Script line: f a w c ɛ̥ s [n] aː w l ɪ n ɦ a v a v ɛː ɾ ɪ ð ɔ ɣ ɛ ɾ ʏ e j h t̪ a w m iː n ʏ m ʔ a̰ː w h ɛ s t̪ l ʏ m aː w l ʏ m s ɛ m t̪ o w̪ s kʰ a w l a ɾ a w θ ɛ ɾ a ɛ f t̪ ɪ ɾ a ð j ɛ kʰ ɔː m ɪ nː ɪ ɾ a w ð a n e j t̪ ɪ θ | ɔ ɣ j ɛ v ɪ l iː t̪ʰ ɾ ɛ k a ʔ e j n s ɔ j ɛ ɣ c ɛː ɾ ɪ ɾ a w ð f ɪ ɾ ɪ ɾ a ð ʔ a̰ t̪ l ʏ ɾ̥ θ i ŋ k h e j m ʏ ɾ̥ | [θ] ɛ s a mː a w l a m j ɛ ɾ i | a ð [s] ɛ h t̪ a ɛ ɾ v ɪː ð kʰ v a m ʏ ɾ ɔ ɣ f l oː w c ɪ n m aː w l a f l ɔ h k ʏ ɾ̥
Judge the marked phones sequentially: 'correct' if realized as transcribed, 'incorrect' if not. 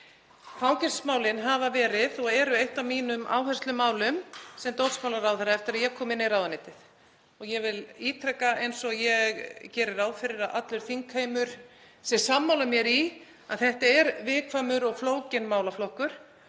incorrect, incorrect, incorrect

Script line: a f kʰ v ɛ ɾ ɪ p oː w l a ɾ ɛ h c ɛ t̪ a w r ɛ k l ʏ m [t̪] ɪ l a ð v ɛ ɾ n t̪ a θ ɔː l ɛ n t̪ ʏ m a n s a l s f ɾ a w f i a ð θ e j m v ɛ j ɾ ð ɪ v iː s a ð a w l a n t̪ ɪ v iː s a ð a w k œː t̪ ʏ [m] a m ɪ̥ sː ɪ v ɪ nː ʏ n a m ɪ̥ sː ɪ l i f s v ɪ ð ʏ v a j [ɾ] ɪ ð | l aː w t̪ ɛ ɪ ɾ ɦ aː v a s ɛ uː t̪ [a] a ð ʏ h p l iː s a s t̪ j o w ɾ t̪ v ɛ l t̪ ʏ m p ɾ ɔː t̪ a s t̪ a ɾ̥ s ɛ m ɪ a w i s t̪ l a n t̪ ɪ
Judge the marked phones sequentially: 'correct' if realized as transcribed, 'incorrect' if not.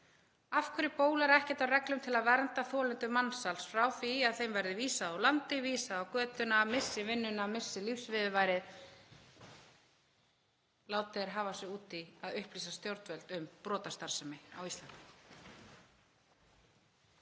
incorrect, incorrect, correct, incorrect

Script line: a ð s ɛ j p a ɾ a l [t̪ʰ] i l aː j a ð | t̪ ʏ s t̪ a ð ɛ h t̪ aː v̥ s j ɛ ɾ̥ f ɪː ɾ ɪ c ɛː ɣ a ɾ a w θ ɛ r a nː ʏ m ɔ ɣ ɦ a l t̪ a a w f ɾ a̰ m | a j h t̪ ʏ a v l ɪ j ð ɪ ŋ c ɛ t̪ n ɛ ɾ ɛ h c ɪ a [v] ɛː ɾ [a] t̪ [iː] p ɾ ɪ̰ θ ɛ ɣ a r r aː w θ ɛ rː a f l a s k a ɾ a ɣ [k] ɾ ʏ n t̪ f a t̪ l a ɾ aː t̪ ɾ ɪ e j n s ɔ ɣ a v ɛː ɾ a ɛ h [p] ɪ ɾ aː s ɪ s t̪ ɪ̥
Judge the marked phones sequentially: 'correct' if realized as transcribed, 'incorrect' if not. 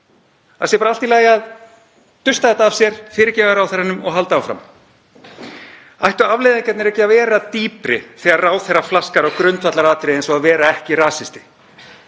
incorrect, correct, correct, correct, correct, incorrect

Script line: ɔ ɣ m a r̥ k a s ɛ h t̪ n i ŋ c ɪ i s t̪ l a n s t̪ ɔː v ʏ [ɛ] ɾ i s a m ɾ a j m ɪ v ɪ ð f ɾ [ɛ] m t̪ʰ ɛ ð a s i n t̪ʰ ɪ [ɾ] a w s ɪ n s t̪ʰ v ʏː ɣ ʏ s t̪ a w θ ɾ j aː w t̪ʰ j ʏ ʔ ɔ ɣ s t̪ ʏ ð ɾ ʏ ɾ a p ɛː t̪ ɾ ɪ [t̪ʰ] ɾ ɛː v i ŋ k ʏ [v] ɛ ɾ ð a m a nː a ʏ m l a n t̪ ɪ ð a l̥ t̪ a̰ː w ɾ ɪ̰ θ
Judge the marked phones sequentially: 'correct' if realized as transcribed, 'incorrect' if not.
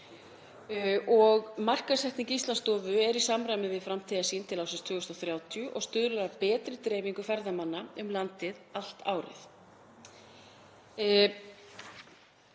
correct, incorrect, incorrect, incorrect, incorrect

